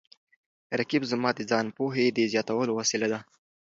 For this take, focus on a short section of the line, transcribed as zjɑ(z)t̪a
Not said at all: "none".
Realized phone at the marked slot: none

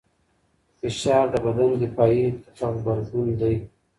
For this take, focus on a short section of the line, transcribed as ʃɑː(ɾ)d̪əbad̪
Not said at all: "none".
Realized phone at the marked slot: ɾ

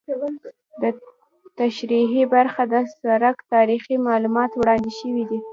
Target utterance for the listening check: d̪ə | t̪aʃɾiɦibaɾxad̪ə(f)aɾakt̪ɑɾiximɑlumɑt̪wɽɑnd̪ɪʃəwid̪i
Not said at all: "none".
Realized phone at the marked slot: s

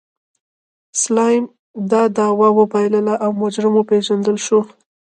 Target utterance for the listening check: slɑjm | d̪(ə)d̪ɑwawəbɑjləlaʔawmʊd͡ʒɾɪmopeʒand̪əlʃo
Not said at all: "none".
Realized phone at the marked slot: ɑ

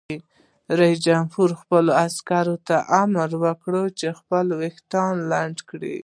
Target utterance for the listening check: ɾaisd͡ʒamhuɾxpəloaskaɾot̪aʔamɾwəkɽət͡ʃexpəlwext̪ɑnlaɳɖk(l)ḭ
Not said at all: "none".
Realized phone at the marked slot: ɽ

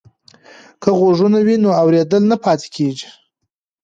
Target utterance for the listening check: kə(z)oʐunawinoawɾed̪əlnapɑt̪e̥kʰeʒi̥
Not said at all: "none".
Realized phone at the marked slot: ɣ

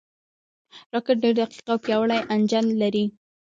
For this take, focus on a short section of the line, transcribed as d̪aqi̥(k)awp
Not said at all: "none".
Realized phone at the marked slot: q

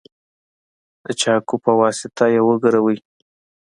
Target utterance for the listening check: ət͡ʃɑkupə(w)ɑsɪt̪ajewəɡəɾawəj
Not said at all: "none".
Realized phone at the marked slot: w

